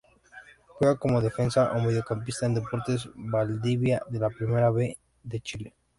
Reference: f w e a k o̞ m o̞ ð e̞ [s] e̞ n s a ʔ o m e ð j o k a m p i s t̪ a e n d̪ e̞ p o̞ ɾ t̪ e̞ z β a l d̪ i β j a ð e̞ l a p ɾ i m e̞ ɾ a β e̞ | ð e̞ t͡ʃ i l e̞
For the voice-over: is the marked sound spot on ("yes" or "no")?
no